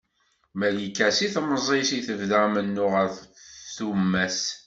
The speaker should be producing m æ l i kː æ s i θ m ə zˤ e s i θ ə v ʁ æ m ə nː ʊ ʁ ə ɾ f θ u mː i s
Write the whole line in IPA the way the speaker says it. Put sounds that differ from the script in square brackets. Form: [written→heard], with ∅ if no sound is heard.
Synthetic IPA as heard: m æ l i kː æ s i θ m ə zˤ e s i θ ə v [ʁ→ð] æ m ə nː ʊ ʁ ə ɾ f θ u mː [i→æ] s

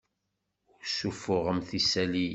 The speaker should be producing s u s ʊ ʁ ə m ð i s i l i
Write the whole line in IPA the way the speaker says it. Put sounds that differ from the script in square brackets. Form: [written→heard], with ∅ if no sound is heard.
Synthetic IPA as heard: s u [s→f] ʊ ʁ ə m [ð→θ] i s [i→æ] l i

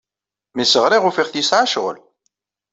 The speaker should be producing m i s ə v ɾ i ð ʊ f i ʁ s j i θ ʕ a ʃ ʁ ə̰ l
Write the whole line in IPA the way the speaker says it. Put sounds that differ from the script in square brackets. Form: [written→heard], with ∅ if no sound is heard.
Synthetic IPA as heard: m i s ə [v→ʁ] ɾ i [ð→ʁ] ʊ f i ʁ [s→θ] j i [θ→s] ʕ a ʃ ʁ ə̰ l

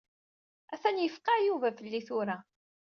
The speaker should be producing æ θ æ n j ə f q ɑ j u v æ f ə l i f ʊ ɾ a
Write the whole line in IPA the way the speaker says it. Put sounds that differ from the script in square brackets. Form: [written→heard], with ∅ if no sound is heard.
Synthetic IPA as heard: æ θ æ n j ə f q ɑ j u v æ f ə [l→lː] i [f→θ] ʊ ɾ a

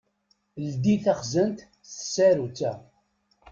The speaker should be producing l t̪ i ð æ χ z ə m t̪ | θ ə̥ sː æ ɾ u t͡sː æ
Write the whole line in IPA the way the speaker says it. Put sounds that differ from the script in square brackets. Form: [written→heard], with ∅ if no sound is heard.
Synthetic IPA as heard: l [t̪→d̪] i [ð→θ] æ χ z ə [m→n] t̪ | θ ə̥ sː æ ɾ u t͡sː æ

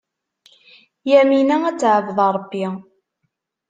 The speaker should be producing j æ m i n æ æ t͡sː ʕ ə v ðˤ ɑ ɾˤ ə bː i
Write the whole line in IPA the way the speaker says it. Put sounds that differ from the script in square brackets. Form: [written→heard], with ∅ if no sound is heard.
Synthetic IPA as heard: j æ m i n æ æ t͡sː ʕ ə v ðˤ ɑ ɾˤ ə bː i

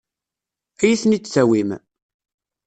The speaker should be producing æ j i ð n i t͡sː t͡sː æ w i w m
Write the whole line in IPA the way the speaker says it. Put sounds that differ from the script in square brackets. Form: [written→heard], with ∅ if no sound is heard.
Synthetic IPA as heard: æ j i [ð→θ] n i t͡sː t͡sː æ w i [w→∅] m

